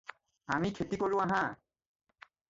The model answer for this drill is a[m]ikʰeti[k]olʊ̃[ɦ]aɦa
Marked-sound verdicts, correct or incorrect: correct, correct, incorrect: none

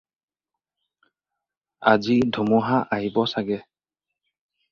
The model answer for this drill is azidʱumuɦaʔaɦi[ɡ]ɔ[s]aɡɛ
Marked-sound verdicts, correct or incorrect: incorrect: b, correct

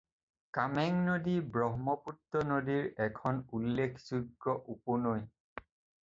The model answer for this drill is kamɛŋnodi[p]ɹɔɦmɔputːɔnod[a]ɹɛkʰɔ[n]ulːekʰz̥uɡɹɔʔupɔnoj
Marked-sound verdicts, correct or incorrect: incorrect: b, incorrect: i, correct

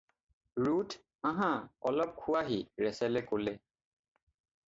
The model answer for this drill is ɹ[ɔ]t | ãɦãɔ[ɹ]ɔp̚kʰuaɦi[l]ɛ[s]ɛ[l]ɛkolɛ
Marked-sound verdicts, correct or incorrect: incorrect: u, incorrect: l, incorrect: ɹ, correct, correct

